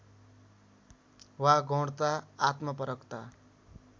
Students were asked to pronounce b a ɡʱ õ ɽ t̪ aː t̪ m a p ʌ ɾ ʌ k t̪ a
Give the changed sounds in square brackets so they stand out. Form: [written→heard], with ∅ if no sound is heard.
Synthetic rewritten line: [b→w] a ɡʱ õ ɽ t̪ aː t̪ m [a→ʌ] p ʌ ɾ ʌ k t̪ a

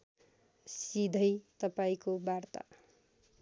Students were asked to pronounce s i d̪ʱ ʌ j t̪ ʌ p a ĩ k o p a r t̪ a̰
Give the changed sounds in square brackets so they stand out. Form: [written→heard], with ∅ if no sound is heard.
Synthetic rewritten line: s i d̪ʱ ʌ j t̪ ʌ p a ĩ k o [p→b] a r t̪ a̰

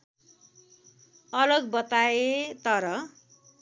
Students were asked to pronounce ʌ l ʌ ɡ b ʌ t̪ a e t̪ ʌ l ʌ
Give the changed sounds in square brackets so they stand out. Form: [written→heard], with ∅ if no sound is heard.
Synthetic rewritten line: ʌ l ʌ ɡ b ʌ t̪ a e t̪ ʌ [l→ɾ] ʌ

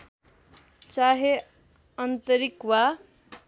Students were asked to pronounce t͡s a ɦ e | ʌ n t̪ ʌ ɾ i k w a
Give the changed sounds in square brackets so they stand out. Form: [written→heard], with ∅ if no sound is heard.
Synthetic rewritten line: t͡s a ɦ e | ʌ n t̪ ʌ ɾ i k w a

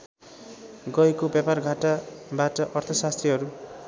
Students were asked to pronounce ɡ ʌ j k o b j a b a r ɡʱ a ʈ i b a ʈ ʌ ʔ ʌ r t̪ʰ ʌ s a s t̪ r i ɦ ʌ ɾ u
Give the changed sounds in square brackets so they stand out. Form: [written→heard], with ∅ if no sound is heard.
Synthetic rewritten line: ɡ ʌ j k o b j a [b→p] a r ɡʱ a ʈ [i→a] b a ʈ ʌ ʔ ʌ r t̪ʰ ʌ s a s t̪ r i ɦ ʌ ɾ u

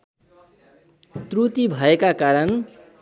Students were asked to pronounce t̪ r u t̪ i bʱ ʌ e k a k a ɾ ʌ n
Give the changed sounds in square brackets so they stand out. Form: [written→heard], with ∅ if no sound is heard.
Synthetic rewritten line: t̪ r u t̪ i bʱ ʌ e k a k a ɾ ʌ n

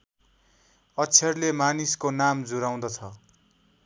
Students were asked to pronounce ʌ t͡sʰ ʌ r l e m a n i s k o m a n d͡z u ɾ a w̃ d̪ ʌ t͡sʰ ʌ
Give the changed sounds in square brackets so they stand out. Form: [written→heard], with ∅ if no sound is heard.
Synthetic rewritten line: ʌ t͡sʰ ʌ r l e m a n i s k o [m→n] a [n→m] d͡z u ɾ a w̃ d̪ ʌ t͡sʰ ʌ

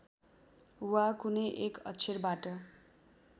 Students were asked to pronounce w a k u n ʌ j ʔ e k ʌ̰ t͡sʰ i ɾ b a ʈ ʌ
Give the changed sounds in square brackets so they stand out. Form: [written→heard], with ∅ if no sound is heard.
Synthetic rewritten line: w a k u n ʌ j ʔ e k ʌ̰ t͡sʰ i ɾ b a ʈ ʌ

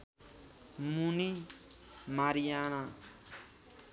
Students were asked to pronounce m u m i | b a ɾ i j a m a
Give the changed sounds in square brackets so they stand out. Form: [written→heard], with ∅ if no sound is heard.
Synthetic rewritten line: m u [m→n] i | [b→m] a ɾ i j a [m→n] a

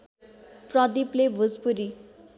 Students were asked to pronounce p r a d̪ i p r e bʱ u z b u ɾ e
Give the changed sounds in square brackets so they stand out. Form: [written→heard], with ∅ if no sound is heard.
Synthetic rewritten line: p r [a→ʌ] d̪ i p [r→l] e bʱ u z [b→p] u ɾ [e→i]

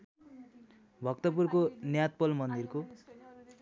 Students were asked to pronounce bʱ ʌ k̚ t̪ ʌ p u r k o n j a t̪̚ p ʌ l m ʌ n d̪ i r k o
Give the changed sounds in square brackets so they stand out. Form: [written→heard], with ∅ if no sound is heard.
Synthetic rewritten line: bʱ ʌ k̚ t̪ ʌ p u r k o n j a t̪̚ p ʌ l m ʌ n d̪ i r k o

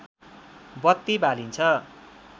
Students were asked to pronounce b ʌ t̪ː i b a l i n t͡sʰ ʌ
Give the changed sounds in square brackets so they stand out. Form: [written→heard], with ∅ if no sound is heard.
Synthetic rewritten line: b ʌ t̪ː i b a l i n t͡sʰ ʌ

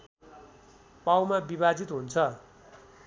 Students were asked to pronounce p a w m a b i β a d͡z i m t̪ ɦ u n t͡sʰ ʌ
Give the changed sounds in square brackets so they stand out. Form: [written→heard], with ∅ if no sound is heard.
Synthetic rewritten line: p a w m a b i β a d͡z i [m→∅] t̪ ɦ u n t͡sʰ ʌ

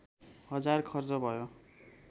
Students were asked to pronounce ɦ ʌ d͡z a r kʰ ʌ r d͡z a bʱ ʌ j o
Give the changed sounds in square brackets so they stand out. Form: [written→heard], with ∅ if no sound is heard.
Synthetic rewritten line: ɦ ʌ d͡z a r kʰ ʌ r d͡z [a→ʌ] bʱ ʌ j o

